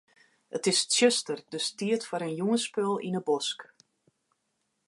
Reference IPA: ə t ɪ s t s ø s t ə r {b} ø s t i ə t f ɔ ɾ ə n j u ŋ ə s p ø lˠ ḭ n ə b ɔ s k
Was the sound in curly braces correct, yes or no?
no